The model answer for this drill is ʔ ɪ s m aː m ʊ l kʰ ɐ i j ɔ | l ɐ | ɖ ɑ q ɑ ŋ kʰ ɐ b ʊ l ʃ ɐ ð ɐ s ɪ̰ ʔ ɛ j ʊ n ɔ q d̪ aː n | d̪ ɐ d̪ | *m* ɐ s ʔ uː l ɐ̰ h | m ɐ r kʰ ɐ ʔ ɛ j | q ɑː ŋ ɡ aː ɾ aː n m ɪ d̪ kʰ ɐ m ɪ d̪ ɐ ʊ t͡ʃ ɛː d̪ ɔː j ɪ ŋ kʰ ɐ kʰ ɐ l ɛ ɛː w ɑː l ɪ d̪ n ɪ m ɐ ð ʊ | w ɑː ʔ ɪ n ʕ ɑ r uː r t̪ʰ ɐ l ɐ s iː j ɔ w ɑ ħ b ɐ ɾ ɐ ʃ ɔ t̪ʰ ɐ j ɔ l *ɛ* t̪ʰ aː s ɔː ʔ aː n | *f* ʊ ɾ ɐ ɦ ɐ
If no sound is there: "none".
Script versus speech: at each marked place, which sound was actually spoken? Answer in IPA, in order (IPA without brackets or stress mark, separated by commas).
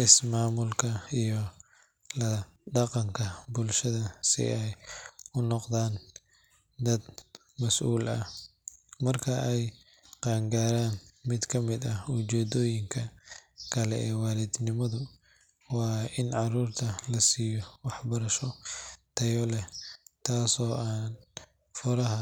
m, ɛ, f